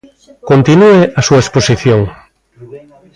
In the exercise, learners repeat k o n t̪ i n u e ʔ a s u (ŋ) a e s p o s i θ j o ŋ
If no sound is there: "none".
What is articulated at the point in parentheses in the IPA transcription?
none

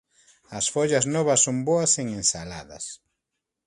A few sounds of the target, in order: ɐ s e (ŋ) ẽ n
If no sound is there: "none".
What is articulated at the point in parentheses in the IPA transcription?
ŋ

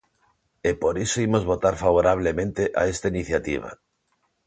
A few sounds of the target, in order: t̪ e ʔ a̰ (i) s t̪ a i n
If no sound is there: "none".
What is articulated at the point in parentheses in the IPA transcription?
e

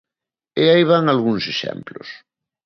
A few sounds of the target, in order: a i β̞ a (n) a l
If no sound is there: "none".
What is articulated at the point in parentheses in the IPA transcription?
ŋ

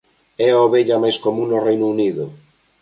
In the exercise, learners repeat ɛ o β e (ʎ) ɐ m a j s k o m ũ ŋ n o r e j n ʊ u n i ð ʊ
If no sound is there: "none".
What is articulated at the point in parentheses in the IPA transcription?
ʎ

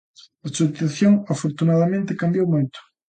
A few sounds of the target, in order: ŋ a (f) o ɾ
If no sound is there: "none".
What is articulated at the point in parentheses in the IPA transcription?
f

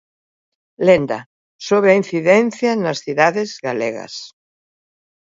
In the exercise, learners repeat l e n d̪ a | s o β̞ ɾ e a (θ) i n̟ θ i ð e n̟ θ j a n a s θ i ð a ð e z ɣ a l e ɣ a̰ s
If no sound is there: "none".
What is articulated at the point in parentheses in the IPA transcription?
none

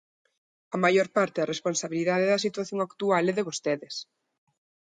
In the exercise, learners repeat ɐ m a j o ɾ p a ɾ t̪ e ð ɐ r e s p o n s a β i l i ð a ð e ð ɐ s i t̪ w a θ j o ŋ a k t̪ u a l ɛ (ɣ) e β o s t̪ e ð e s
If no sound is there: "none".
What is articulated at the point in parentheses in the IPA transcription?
ð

